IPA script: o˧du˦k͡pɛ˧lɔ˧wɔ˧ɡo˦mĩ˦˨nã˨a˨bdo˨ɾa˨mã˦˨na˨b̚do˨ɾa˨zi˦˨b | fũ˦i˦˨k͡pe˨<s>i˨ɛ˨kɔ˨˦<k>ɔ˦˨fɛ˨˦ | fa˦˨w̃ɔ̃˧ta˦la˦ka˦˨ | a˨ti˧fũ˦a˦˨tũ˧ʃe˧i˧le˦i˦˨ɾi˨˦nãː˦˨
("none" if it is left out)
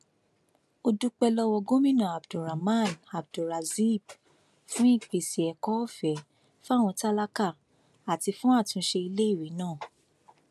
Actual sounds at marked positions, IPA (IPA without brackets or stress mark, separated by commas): s, none